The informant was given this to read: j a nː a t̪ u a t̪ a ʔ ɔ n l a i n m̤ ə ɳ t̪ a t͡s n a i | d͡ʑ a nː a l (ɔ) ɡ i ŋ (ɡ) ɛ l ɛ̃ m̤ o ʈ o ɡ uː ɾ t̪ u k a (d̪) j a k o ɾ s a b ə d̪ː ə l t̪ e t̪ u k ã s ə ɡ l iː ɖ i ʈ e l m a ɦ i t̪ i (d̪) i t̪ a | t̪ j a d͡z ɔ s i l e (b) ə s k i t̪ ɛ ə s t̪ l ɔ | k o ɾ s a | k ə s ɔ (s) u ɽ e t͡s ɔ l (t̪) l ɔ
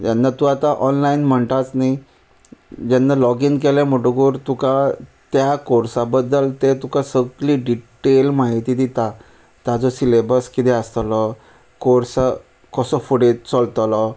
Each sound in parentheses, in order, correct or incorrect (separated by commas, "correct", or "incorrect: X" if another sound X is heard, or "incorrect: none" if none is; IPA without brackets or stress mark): correct, incorrect: k, incorrect: t̪, correct, correct, incorrect: f, correct